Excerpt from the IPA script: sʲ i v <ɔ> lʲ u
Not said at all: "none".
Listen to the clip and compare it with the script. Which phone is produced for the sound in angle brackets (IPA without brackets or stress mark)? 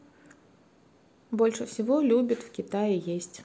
ɔ